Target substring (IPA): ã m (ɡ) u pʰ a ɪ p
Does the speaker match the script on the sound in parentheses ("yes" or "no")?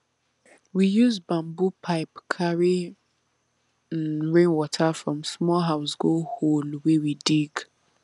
no